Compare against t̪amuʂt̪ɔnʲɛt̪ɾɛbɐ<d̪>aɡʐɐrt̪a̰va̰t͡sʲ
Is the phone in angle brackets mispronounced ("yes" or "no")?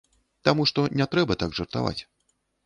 yes